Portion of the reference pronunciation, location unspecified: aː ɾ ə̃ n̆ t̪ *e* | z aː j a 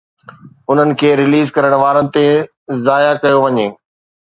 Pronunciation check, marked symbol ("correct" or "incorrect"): correct